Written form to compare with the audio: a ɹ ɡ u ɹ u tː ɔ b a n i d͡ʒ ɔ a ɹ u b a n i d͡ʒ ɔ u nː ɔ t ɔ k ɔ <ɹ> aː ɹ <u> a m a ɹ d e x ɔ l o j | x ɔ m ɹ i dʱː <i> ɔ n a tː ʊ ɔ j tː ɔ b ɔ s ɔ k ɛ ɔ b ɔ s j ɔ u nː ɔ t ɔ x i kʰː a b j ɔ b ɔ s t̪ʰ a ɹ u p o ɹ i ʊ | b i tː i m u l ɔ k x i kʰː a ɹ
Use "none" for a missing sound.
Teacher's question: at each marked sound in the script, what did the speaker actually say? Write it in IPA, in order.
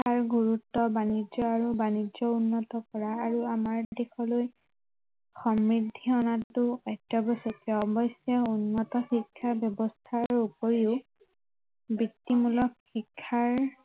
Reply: ɹ, u, i

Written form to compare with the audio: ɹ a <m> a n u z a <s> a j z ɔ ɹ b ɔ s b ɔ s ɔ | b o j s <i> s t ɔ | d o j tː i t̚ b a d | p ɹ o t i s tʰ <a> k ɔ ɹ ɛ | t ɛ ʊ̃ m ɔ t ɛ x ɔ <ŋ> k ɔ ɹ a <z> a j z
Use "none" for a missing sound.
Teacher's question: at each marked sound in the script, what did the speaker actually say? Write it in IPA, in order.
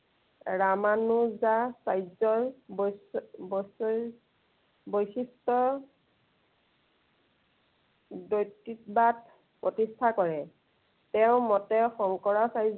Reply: m, s, i, a, ŋ, s

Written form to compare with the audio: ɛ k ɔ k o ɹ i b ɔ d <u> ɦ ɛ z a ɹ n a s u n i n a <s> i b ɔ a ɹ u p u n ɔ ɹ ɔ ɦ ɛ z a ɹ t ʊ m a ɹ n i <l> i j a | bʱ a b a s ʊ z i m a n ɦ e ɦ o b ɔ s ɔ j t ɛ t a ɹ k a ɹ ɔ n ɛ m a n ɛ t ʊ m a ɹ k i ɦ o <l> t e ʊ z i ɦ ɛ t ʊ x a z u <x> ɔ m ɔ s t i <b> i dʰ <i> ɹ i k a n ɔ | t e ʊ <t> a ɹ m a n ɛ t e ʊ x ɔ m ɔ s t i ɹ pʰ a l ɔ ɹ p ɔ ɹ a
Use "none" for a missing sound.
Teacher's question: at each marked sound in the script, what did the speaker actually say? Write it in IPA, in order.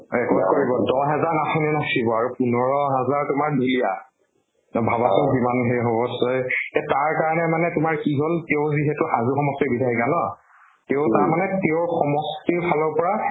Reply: ɔ, s, l, l, x, b, a, t

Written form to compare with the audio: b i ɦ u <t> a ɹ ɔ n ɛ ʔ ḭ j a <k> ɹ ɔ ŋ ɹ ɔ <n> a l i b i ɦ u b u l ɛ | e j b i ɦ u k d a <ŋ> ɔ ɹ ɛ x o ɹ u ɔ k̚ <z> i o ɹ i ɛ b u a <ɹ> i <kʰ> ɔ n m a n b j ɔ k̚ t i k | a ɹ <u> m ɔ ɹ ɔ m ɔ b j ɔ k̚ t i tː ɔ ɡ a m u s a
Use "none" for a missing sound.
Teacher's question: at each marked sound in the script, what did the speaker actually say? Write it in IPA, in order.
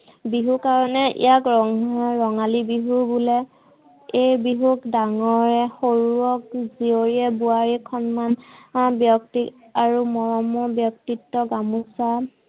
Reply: k, k, ŋ, ŋ, z, ɹ, kʰ, u

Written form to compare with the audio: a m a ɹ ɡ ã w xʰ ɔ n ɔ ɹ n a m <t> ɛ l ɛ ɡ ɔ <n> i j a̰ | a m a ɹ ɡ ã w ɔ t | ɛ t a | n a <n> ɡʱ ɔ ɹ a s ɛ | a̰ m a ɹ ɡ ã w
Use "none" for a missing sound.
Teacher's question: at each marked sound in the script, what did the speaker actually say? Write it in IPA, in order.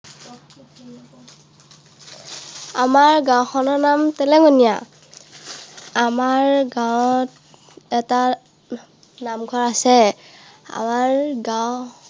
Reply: t, n, m

